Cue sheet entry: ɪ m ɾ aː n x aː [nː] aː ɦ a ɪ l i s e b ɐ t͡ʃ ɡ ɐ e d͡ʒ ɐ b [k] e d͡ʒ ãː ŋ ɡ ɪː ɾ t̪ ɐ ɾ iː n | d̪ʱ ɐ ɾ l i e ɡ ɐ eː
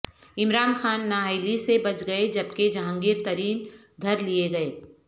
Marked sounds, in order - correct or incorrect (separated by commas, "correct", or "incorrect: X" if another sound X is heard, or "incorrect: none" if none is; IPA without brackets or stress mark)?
correct, correct